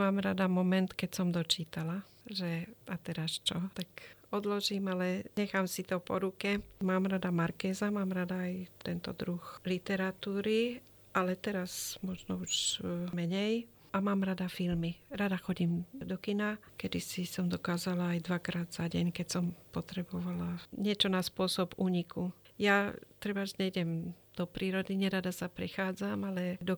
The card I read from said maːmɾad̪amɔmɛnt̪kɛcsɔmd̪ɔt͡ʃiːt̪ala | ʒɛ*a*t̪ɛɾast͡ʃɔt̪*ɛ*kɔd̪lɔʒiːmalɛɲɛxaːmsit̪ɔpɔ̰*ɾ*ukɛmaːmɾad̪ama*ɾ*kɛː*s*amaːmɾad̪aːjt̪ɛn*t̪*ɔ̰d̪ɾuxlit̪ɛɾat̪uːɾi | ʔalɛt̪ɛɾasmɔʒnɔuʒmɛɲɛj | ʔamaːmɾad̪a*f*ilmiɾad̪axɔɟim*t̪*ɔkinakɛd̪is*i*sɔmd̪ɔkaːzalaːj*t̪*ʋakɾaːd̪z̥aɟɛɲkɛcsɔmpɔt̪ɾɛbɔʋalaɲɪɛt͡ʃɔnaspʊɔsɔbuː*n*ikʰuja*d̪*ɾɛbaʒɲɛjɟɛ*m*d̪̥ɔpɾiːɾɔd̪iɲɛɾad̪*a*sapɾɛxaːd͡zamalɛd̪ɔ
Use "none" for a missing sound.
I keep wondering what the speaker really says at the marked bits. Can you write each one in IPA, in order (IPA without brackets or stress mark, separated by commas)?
a, a, ɾ, ɾ, z, t̪, f, d̪, i, d̪, ɲ, t̪, m, a